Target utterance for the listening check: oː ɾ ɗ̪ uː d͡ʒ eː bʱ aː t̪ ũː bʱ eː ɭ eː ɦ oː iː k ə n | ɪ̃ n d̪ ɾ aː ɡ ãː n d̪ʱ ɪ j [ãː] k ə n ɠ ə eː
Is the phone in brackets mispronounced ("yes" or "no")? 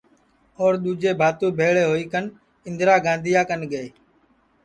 yes